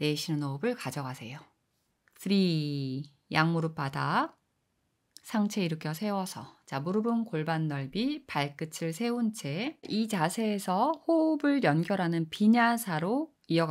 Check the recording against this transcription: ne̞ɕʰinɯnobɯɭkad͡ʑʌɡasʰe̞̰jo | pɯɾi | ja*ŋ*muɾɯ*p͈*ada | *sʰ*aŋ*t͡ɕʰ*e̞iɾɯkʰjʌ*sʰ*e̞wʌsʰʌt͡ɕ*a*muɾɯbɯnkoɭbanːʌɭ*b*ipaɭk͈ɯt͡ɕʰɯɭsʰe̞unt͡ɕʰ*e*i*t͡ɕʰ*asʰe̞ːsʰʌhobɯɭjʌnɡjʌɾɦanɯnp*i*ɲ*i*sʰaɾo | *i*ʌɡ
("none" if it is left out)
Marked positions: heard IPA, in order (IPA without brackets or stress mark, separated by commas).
ŋ, p͈, sʰ, t͡ɕʰ, sʰ, a, b, e, t͡ɕ, i, a, i